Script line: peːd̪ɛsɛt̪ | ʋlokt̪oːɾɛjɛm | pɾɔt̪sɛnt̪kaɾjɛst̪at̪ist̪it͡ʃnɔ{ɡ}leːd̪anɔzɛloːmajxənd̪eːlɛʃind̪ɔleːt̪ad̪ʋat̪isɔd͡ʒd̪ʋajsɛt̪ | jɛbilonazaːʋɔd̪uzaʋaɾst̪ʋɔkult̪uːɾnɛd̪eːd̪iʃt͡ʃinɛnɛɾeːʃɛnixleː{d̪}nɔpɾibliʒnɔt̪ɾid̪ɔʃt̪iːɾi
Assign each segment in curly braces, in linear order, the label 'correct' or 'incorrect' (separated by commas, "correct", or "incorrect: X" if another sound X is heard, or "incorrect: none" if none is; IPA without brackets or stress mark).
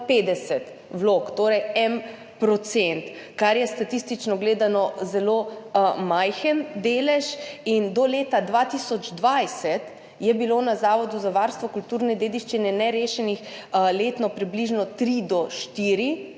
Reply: correct, incorrect: t̪